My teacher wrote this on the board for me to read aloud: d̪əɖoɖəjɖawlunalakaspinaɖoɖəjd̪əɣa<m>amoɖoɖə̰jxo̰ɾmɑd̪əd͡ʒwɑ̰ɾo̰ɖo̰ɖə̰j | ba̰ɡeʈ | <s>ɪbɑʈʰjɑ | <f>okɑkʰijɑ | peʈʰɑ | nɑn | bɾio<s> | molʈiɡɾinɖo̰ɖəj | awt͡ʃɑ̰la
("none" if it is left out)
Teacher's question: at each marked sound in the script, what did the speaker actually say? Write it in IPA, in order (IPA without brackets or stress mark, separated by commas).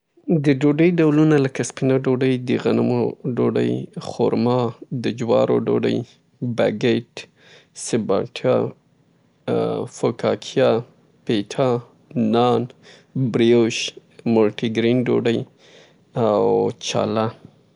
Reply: n, s, f, ʃ